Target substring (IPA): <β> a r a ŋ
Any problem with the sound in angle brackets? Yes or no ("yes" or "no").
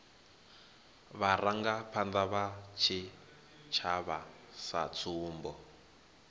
no